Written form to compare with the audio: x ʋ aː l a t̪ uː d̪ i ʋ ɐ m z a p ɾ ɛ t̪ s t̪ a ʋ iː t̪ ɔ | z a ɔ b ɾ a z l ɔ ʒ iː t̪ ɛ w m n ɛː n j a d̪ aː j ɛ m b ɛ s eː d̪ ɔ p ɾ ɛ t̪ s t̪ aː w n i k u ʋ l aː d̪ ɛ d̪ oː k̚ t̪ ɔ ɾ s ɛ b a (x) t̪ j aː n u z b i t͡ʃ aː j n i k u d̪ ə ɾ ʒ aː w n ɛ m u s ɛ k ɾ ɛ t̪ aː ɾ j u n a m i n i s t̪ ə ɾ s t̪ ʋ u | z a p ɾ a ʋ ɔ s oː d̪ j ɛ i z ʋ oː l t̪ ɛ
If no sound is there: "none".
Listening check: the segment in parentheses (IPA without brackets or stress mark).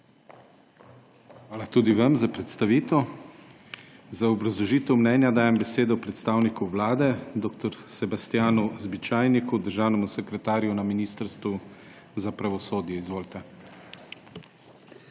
s